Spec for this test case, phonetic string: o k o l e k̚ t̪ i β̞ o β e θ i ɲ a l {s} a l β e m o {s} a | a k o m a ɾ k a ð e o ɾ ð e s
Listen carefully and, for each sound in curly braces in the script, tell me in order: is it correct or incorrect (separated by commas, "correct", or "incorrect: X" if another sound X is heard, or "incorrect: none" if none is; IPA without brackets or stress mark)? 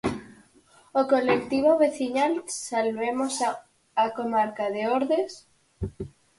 correct, correct